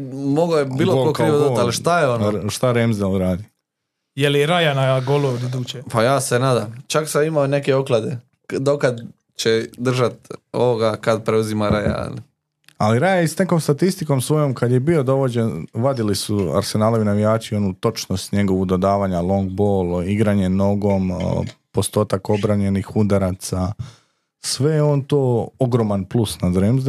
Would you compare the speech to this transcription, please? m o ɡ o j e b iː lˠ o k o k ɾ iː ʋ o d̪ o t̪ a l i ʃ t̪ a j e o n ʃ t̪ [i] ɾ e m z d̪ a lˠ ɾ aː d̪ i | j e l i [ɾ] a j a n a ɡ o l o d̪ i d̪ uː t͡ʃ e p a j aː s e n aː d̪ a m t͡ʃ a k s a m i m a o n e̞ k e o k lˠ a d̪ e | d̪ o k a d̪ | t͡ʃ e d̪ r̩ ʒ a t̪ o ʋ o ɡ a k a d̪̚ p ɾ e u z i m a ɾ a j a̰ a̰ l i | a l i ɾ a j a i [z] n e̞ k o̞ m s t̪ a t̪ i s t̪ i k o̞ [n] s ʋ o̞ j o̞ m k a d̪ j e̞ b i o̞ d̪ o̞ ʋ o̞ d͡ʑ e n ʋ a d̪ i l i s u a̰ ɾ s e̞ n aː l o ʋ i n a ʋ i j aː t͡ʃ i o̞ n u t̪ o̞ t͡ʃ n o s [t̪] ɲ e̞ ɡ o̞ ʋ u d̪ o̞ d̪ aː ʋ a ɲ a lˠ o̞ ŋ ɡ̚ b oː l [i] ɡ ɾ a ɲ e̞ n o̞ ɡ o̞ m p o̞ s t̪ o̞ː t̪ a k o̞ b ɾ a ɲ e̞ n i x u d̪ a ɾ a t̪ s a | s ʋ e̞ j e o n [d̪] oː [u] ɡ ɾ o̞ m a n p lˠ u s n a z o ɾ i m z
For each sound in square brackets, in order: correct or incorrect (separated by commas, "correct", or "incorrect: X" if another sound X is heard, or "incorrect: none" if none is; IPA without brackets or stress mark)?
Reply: incorrect: a, correct, incorrect: s, incorrect: m, correct, correct, incorrect: t̪, incorrect: o